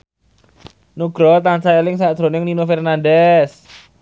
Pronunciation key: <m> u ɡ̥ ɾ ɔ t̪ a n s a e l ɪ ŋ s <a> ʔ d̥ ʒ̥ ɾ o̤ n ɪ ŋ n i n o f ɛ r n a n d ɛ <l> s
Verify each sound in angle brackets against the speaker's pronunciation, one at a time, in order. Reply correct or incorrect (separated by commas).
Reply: incorrect, correct, incorrect